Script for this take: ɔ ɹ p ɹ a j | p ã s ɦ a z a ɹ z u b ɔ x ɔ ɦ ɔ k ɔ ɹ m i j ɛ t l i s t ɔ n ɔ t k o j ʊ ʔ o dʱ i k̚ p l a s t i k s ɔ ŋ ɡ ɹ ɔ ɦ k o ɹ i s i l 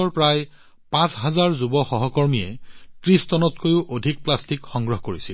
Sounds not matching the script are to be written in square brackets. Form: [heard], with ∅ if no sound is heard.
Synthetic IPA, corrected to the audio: ɔ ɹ p ɹ a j | p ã s ɦ a z a ɹ z u b ɔ x ɔ ɦ ɔ k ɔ ɹ m i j ɛ t [ɹ] i s t ɔ n ɔ t k o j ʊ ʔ o dʱ i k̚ p l a s t i k [x] ɔ ŋ ɡ ɹ ɔ ɦ k o ɹ i s i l

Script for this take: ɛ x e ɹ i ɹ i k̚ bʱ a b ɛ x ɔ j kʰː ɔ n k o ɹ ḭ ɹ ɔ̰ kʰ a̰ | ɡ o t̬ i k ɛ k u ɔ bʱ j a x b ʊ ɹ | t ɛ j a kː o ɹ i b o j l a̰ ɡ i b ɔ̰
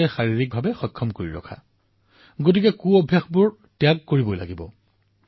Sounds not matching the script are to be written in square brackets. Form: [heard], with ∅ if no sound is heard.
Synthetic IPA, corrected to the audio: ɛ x [a] ɹ i ɹ i k̚ bʱ a b ɛ x ɔ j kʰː ɔ [m] k o ɹ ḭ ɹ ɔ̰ kʰ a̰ | ɡ o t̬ i k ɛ k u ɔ bʱ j a x b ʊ ɹ | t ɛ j a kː o ɹ i b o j l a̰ ɡ i b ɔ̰

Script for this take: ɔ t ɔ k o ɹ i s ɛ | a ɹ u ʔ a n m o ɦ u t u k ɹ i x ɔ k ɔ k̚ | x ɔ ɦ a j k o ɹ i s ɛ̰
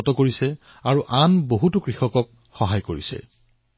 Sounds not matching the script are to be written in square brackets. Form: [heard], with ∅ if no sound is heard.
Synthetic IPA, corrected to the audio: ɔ t ɔ k o ɹ i s ɛ | a ɹ u ʔ a n [b] o ɦ u t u k ɹ i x ɔ k ɔ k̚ | x ɔ ɦ a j k o ɹ i s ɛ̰

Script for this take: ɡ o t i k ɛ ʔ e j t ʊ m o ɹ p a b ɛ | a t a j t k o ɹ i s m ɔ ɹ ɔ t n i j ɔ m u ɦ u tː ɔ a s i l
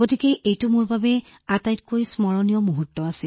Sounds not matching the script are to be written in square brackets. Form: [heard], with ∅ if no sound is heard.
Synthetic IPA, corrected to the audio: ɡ o t i k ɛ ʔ e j t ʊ m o ɹ [b] a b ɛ | a t a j t k o ɹ i s m ɔ ɹ ɔ [∅] n i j ɔ m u ɦ u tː ɔ a s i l

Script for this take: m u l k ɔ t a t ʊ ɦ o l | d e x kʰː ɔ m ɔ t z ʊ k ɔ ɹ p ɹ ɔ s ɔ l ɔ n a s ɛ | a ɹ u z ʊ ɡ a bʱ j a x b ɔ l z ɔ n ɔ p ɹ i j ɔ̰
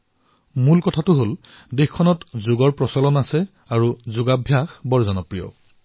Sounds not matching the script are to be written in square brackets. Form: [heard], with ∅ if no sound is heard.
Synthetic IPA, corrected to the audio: m u l k ɔ [tʰ] a t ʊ ɦ o l | d e x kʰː ɔ [n] ɔ t z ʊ [ɡ] ɔ ɹ p ɹ ɔ s ɔ l ɔ n a s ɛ | a ɹ u z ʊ ɡ a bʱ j a x b ɔ [ɹ] z ɔ n ɔ p ɹ i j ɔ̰

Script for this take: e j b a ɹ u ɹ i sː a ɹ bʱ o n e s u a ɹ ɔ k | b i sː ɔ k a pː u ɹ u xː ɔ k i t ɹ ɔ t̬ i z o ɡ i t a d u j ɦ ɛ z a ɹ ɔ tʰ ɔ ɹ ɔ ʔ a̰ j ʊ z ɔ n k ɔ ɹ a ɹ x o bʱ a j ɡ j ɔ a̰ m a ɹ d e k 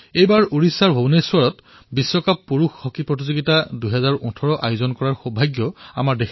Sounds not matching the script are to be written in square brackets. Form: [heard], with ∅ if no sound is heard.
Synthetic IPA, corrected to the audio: e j b a ɹ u ɹ i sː a ɹ bʱ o n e s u a ɹ ɔ [t] | b i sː ɔ k a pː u ɹ u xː ɔ k i [p] ɹ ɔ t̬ i z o ɡ i t a d u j ɦ ɛ z a ɹ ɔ tʰ ɔ ɹ ɔ ʔ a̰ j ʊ z ɔ n k ɔ ɹ a ɹ x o bʱ a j ɡ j ɔ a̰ m a ɹ d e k

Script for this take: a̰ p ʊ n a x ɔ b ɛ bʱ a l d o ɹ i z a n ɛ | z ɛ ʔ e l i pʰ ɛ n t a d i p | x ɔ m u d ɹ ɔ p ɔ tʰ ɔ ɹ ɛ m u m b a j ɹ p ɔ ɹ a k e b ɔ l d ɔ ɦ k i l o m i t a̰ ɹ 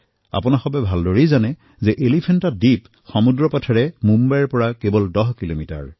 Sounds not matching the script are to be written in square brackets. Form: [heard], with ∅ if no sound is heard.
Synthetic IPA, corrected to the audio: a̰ p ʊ n a x ɔ b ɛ bʱ a l d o ɹ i z a n ɛ | z ɛ ʔ e l i pʰ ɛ n t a d i p | x ɔ m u d ɹ ɔ p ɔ tʰ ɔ ɹ ɛ m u m b a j ɹ p ɔ ɹ a k e b ɔ l d ɔ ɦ k i l o m i t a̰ ɹ

